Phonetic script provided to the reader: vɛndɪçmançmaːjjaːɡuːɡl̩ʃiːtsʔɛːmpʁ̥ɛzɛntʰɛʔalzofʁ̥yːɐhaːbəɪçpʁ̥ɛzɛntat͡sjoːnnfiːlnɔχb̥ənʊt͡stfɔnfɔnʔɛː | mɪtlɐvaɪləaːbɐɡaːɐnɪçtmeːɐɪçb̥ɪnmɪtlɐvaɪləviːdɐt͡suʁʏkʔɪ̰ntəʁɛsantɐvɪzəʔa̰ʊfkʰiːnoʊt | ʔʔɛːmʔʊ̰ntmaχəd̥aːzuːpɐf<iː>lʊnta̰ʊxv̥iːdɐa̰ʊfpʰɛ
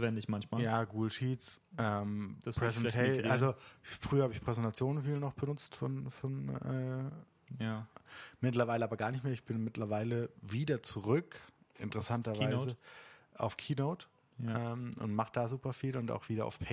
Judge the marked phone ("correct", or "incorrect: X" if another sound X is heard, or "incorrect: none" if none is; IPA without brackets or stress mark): correct